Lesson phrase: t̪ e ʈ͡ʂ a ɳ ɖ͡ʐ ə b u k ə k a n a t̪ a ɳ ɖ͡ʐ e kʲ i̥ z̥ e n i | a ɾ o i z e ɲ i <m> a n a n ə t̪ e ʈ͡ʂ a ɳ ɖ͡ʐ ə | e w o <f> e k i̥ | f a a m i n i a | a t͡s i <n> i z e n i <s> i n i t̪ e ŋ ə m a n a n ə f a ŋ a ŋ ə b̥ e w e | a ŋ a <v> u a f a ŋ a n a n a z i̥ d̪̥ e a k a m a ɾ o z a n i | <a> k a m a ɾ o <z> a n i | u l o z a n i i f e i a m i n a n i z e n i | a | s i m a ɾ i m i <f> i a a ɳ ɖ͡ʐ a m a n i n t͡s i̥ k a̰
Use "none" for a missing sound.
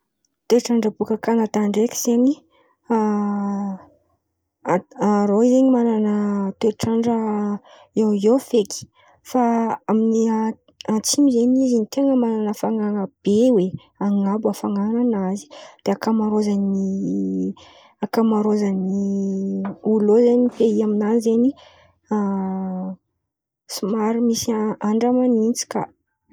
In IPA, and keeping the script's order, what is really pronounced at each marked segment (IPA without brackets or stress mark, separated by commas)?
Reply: m, f, m, z, b, a, z, s